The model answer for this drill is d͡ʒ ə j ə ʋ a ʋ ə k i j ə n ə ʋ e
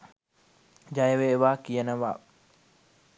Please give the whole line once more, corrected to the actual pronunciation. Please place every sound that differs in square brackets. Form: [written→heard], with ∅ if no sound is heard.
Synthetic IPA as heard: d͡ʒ [ə→a] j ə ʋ [a→e] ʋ [ə→a] k i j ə n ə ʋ [e→a]